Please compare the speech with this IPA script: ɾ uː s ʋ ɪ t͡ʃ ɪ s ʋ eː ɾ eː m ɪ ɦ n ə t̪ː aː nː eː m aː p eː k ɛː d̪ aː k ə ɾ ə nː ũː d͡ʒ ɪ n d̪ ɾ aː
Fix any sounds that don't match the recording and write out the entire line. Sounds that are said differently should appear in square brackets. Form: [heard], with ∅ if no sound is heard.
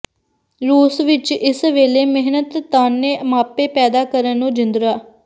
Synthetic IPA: ɾ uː s ʋ ɪ t͡ʃ ɪ s ʋ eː [l] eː m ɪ ɦ n ə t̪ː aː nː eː m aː p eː [p] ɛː d̪ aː k ə ɾ ə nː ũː d͡ʒ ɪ n d̪ ɾ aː

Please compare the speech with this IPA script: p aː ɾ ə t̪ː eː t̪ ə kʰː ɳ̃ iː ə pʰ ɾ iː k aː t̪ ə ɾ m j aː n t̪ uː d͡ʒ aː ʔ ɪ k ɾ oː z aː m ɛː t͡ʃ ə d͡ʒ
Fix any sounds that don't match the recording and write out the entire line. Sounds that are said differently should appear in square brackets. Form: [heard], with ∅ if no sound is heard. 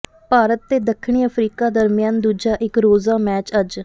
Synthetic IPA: p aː ɾ ə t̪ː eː [d̪] ə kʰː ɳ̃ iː ə pʰ ɾ iː k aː [d̪] ə ɾ m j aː n [d̪] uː d͡ʒ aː ʔ ɪ k ɾ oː z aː m ɛː t͡ʃ ə d͡ʒ

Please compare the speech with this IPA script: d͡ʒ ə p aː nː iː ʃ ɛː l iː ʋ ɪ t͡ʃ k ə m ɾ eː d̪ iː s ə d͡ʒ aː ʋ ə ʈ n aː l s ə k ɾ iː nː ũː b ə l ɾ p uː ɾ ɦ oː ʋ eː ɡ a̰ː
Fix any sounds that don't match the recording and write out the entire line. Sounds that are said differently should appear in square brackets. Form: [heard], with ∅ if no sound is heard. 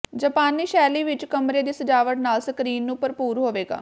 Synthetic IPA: d͡ʒ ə p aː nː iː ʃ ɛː l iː ʋ ɪ t͡ʃ k ə m ɾ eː d̪ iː s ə d͡ʒ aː ʋ ə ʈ n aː l s ə k ɾ iː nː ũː [p] ə [∅] ɾ p uː ɾ ɦ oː ʋ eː ɡ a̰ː

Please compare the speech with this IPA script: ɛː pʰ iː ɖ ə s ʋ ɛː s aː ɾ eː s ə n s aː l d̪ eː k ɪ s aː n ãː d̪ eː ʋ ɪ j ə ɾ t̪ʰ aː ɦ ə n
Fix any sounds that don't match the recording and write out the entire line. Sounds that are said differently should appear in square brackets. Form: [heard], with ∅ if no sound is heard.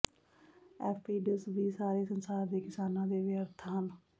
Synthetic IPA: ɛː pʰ iː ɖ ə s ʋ [iː] s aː ɾ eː s ə n s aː [ɾ] d̪ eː k ɪ s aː n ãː d̪ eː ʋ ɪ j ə ɾ t̪ʰ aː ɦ ə n

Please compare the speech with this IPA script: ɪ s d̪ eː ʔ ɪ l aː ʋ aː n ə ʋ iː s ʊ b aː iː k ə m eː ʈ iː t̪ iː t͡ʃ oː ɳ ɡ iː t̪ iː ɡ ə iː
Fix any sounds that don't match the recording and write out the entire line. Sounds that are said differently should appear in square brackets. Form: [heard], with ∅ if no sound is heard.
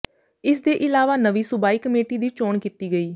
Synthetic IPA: ɪ s d̪ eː ʔ ɪ l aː ʋ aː n ə ʋ iː s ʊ b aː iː k ə m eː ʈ iː [d̪] iː t͡ʃ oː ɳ [k] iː t̪ iː ɡ ə iː

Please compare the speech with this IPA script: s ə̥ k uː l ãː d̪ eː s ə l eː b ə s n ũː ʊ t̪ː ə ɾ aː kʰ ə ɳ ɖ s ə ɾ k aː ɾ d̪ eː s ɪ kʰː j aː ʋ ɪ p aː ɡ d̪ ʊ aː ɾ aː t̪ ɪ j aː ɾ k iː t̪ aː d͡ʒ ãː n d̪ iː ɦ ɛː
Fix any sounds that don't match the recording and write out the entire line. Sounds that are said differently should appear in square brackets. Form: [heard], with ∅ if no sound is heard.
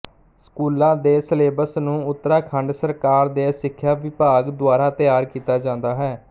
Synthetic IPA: s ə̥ k uː l ãː d̪ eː s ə l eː b ə s n ũː ʊ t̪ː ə ɾ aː kʰ ə ɳ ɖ s ə ɾ k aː ɾ d̪ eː s ɪ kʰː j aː ʋ ɪ p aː ɡ d̪ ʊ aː ɾ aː t̪ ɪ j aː ɾ k iː t̪ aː d͡ʒ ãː n d̪ [aː] ɦ ɛː

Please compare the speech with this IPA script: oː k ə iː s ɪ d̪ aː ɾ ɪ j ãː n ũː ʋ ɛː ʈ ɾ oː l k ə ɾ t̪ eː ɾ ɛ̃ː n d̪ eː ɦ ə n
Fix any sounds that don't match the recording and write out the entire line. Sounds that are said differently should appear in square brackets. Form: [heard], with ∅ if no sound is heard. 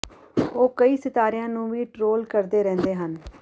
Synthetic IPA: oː k ə iː s ɪ [t̪] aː ɾ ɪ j ãː n ũː ʋ [iː] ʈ ɾ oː l k ə ɾ [d̪] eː ɾ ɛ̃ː n d̪ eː ɦ ə n

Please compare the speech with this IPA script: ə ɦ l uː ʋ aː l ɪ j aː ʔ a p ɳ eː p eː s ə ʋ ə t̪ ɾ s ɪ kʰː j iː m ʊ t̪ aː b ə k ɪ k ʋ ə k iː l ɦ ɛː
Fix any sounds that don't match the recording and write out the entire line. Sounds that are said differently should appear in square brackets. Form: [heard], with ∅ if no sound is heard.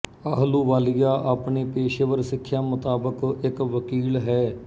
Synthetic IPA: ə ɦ l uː ʋ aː l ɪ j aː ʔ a p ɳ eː p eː [ʃ] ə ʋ ə [∅] ɾ s ɪ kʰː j [aː] m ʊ t̪ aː b ə k ɪ k ʋ ə k iː l ɦ ɛː

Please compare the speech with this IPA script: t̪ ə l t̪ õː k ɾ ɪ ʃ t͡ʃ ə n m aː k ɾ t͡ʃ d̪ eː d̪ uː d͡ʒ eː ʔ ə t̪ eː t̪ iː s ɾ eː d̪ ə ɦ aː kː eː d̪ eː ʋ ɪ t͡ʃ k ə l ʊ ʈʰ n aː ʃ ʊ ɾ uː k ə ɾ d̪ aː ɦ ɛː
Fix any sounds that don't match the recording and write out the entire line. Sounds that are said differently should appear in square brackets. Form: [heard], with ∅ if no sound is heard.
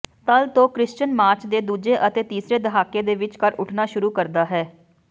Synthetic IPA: t̪ ə l t̪ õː k ɾ ɪ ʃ t͡ʃ ə n m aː [∅] ɾ t͡ʃ d̪ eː d̪ uː d͡ʒ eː ʔ ə t̪ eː t̪ iː s ɾ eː d̪ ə ɦ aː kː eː d̪ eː ʋ ɪ t͡ʃ k ə [ɾ] ʊ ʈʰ n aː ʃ ʊ ɾ uː k ə ɾ d̪ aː ɦ ɛː

